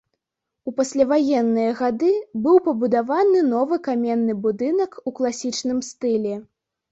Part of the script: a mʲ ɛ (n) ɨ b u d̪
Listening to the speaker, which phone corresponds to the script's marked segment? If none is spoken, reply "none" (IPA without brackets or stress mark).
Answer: nː